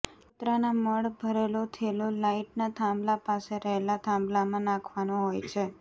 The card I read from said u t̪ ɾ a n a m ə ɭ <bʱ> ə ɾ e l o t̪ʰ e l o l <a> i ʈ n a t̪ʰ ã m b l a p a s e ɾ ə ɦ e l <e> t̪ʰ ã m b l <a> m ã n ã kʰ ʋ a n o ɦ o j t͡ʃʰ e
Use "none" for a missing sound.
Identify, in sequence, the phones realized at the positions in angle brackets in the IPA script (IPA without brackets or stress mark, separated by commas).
bʱ, a, a, a